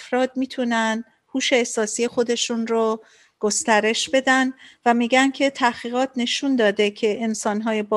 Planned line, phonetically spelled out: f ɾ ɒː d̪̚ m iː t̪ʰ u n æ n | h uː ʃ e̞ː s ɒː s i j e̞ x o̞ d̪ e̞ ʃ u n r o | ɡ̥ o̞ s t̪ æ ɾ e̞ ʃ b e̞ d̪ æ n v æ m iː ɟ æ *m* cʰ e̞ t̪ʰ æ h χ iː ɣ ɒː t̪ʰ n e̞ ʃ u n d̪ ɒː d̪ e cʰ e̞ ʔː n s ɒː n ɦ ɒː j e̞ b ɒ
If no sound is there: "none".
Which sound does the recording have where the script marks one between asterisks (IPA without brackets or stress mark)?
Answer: n